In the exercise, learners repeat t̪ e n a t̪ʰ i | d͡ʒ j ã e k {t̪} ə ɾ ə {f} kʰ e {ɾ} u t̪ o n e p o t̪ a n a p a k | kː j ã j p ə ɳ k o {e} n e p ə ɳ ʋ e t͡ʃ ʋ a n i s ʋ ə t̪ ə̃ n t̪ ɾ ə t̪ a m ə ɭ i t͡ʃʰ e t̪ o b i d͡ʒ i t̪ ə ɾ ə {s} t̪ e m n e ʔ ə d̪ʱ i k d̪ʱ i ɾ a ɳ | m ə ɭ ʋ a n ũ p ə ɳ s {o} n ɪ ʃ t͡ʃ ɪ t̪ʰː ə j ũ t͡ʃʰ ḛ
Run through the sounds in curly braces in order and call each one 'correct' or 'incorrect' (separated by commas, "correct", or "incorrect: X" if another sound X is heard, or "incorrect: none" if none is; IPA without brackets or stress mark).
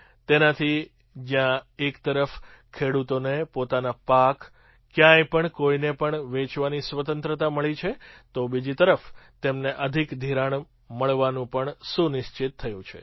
correct, correct, incorrect: ɽ, incorrect: i, incorrect: f, incorrect: u